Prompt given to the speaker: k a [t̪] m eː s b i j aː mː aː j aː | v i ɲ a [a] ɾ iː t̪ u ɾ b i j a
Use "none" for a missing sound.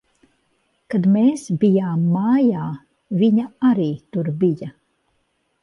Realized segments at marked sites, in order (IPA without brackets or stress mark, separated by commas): d̪, a